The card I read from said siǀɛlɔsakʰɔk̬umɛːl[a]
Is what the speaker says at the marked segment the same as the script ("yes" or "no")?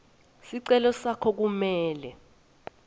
no